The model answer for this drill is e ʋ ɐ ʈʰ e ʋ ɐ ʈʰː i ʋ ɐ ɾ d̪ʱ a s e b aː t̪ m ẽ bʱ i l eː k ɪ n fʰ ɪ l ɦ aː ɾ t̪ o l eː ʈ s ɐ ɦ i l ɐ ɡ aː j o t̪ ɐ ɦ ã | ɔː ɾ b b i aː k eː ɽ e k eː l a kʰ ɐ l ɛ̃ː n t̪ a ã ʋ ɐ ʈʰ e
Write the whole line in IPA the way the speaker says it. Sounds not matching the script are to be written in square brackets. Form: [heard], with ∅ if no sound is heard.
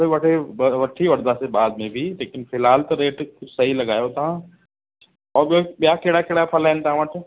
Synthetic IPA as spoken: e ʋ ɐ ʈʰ e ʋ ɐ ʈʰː i ʋ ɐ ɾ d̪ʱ a s e b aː [d̪] m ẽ bʱ i l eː k ɪ n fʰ ɪ l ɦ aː [l] t̪ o [ɾ] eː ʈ s ɐ ɦ i l ɐ ɡ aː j o t̪ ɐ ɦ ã | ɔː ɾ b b [j] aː k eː ɽ [a] k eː [ɽ] a [pʰ] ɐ l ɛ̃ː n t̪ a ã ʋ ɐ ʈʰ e

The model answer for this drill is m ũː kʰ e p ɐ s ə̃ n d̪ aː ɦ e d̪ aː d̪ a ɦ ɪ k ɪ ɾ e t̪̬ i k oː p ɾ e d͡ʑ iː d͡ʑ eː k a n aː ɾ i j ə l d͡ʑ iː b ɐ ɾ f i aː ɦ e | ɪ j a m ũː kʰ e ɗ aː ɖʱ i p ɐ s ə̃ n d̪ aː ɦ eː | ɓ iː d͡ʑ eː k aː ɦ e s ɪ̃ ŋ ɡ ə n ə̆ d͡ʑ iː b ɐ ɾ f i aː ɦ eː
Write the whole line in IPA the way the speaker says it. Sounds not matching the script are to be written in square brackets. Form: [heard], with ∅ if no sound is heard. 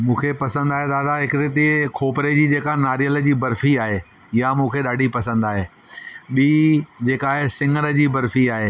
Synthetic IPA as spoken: m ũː kʰ e p ɐ s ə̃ n d̪ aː ɦ e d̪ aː d̪ a ɦ ɪ k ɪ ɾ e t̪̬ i [kʰ] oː p ɾ e d͡ʑ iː d͡ʑ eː k a n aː ɾ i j ə l d͡ʑ iː b ɐ ɾ f i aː ɦ e | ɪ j a m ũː kʰ e ɗ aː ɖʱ i p ɐ s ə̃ n d̪ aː ɦ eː | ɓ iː d͡ʑ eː k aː ɦ e s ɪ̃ ŋ ɡ ə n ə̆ d͡ʑ iː b ɐ ɾ f i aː ɦ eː

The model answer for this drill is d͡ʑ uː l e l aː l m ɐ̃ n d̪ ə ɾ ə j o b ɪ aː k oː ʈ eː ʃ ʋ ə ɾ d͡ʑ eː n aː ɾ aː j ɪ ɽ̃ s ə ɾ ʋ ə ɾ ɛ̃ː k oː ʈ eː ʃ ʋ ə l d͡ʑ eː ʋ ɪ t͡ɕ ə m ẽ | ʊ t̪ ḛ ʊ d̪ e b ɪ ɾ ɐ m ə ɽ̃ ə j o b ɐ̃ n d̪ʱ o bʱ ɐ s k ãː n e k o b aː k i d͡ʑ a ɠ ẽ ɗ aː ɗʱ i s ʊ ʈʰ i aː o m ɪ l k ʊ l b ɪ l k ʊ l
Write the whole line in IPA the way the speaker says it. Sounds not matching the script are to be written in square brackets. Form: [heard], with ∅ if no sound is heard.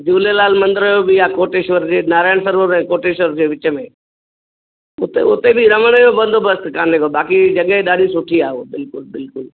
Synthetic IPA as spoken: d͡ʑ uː l e l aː l m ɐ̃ n d̪ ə ɾ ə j o b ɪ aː k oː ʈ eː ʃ ʋ ə ɾ d͡ʑ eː n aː ɾ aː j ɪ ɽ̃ s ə ɾ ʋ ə ɾ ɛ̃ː k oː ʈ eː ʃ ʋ ə [ɾ] d͡ʑ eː ʋ ɪ t͡ɕ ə m ẽ | ʊ t̪ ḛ ʊ [t̪] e b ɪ ɾ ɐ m ə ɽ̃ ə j o b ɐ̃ n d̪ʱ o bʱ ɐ s k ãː n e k o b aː k i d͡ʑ [ɐ] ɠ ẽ ɗ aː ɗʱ i s ʊ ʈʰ i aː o [b] ɪ l k ʊ l b ɪ l k ʊ l

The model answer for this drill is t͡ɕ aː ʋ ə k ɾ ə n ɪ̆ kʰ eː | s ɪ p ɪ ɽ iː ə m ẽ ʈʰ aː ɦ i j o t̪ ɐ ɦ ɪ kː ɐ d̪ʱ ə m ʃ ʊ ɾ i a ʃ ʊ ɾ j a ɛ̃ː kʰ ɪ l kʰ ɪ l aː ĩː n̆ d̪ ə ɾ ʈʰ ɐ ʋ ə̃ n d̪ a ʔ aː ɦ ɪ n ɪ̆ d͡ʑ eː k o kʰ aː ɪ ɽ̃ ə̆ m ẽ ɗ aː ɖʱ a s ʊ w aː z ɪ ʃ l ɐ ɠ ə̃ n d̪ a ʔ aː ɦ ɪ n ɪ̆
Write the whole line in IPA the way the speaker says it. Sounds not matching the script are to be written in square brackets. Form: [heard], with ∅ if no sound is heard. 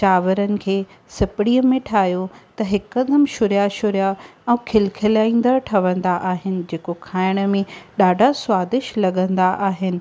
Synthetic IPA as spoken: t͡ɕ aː ʋ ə [∅] ɾ ə n ɪ̆ kʰ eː | s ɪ p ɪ ɽ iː ə m ẽ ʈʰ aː ɦ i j o t̪ ɐ ɦ ɪ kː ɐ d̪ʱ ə m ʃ ʊ ɾ [j] a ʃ ʊ ɾ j a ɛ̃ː kʰ ɪ l kʰ ɪ l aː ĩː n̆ d̪ ə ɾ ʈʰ ɐ ʋ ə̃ n d̪ a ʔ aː ɦ ɪ n ɪ̆ d͡ʑ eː k o kʰ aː ɪ ɽ̃ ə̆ m ẽ ɗ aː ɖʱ a s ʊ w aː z ɪ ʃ l ɐ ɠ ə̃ n d̪ a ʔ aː ɦ ɪ n ɪ̆

